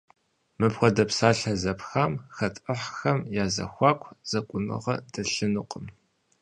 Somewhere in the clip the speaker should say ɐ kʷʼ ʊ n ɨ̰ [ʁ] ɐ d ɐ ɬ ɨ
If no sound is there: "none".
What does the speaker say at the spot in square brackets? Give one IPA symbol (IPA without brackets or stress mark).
ʁ